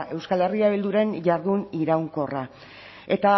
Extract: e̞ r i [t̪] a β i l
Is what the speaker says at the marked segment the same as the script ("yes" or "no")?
no